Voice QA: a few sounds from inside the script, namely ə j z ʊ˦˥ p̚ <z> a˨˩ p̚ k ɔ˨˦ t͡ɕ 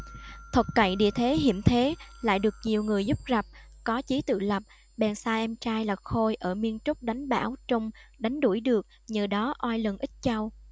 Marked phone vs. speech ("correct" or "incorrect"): correct